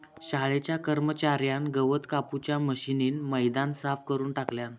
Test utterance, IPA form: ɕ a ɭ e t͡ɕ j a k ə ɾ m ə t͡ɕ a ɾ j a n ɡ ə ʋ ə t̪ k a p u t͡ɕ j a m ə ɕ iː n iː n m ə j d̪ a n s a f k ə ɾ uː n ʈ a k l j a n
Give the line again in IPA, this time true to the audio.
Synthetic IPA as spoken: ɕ a ɭ e t͡ɕ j a k ə ɾ m ə t͡ɕ a ɾ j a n ɡ ə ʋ ə t̪ k a p u t͡ɕ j a m ə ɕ i n iː n m ə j d̪ a n s a f k ə ɾ uː n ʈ a k l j a n